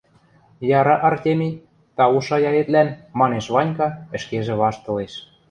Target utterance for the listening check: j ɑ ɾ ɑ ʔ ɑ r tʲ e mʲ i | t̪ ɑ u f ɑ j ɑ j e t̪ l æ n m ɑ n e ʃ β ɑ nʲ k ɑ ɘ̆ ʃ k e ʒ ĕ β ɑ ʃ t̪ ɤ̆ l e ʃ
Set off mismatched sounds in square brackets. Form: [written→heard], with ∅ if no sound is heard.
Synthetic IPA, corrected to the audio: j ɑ ɾ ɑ ʔ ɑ r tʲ e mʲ i | t̪ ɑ u [f→ʃ] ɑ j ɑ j e t̪ l æ n m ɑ n e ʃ β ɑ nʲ k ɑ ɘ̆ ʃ k e ʒ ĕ β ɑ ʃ t̪ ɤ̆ l e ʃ